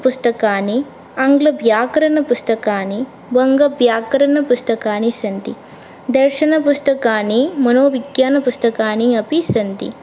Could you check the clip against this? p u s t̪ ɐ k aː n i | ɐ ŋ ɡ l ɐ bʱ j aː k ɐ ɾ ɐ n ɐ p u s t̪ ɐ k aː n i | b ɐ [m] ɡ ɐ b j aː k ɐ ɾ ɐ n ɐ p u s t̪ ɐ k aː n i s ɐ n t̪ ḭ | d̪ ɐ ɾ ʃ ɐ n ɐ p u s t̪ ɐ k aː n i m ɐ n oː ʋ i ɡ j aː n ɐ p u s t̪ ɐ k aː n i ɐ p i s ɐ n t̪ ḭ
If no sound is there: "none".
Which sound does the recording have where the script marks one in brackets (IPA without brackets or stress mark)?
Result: ŋ